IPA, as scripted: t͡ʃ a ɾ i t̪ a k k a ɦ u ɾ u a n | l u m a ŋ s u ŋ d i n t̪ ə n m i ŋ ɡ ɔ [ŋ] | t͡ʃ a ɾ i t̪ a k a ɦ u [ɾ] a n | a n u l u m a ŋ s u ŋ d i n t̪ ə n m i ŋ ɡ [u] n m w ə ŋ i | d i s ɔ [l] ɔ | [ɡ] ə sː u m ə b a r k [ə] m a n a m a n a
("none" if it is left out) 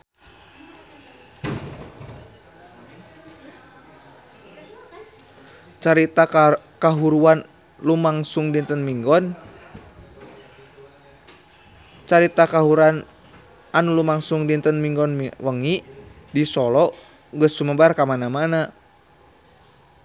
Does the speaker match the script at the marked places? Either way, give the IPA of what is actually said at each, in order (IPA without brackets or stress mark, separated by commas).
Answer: n, ɾ, ɔ, l, ɡ, a